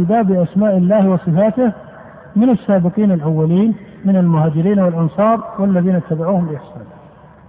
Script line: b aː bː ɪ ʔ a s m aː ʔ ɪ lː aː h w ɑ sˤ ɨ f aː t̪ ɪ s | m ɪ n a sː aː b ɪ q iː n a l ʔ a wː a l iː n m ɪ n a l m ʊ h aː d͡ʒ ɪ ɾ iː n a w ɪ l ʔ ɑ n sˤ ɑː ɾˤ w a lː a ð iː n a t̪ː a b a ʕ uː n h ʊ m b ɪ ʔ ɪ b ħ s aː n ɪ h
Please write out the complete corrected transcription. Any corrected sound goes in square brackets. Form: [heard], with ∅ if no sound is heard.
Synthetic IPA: b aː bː ɪ ʔ a s m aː ʔ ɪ lː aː h w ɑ sˤ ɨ f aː t̪ ɪ [h] | m ɪ n a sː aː b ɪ q iː n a l ʔ a wː a l iː n m ɪ n a l m ʊ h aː d͡ʒ ɪ ɾ iː n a w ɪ l ʔ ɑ n sˤ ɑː ɾˤ w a lː a ð iː n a t̪ː a b a ʕ uː [∅] h ʊ m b ɪ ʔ ɪ [∅] ħ s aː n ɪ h